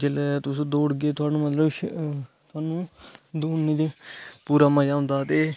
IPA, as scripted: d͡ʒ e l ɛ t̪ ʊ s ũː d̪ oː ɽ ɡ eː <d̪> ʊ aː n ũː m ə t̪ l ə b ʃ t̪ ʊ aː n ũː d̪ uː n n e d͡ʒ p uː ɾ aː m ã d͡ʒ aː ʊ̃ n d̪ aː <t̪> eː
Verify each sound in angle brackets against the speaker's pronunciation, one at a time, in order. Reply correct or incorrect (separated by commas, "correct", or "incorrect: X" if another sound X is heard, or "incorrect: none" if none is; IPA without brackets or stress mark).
incorrect: t̪, correct